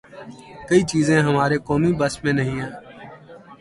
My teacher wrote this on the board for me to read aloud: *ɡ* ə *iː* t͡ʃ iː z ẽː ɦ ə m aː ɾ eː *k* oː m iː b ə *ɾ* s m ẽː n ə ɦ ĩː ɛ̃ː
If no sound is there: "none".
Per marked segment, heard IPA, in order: k, iː, k, none

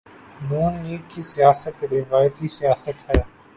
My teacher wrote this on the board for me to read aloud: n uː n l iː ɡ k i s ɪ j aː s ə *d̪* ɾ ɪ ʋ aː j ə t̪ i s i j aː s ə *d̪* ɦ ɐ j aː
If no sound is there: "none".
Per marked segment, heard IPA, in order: t̪, t̪

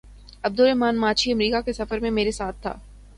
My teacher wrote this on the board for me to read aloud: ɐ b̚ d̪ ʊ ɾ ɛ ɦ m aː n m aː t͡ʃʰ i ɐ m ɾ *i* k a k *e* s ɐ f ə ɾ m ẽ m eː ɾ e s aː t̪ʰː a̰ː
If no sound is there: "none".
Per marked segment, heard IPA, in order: iː, e

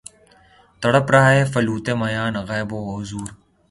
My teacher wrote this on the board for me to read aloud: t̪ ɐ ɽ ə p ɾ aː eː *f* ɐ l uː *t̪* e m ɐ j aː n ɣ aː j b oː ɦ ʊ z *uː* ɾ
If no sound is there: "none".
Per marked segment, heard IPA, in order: f, t̪, uː

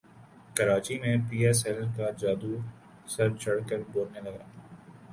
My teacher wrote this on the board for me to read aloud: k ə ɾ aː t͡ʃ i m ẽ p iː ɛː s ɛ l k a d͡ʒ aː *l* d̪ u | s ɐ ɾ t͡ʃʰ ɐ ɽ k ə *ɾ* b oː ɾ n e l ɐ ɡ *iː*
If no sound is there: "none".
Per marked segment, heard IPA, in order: none, ɾ, aː

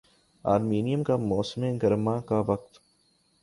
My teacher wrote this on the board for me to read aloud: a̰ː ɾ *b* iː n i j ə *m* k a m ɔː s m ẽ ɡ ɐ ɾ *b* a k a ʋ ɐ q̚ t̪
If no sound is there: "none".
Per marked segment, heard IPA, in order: m, m, m

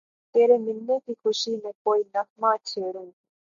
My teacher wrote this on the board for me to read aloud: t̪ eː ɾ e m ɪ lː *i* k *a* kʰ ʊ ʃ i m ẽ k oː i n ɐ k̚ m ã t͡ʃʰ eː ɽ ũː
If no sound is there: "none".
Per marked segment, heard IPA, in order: e, i

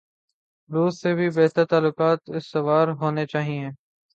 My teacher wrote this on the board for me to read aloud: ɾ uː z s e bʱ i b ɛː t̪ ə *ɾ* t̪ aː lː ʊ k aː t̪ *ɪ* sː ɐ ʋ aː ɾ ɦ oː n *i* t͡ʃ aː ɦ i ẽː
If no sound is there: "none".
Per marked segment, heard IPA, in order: ɾ, ɪ, e

